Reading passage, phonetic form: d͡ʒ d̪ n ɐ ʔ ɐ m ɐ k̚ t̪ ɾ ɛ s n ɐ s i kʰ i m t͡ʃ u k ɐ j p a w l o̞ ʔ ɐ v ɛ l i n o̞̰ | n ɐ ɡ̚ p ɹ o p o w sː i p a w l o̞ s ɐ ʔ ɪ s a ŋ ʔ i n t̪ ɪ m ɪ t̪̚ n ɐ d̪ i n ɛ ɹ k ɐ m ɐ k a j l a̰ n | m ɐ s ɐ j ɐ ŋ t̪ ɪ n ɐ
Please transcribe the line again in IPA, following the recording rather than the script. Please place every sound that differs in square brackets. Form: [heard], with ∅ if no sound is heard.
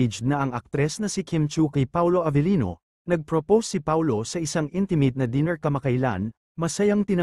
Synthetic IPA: d͡ʒ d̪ n ɐ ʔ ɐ [ŋ] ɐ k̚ t̪ ɾ ɛ s n ɐ s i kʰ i m t͡ʃ u k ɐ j p a w l o̞ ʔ ɐ v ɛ l i n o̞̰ | n ɐ ɡ̚ p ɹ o p o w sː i p a w l o̞ s ɐ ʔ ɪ s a ŋ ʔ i n t̪ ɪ m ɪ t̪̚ n ɐ d̪ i n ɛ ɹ k ɐ m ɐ k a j l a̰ n | m ɐ s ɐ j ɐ ŋ t̪ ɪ n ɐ